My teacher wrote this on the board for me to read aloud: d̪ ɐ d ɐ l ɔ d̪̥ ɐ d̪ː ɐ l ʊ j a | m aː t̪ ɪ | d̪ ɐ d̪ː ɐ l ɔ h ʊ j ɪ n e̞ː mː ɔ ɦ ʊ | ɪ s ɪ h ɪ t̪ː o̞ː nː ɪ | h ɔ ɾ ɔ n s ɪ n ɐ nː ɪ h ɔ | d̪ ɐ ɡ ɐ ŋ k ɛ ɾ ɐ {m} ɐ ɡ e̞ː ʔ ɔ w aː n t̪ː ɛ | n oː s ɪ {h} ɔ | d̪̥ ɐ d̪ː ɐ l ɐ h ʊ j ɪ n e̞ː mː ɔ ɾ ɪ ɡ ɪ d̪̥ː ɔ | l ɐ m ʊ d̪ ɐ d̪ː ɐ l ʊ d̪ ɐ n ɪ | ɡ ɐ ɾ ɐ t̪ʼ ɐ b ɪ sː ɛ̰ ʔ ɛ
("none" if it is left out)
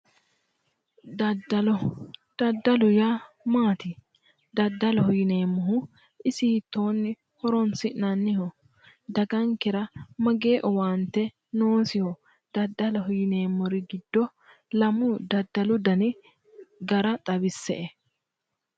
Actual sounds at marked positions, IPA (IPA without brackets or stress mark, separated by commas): m, h